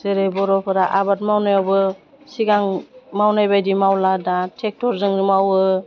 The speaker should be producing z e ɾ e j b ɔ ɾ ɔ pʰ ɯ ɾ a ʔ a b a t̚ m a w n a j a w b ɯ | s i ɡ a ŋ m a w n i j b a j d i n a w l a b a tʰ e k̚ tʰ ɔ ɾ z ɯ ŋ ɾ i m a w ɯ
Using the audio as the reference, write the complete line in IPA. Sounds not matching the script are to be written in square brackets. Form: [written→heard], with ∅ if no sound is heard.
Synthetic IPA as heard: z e ɾ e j b ɔ ɾ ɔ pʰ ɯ ɾ a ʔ a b a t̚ m a w n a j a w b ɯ | s i ɡ a ŋ m a w n [i→a] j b a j d i [n→m] a w l a [b→d] a tʰ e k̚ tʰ ɔ ɾ z ɯ ŋ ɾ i m a w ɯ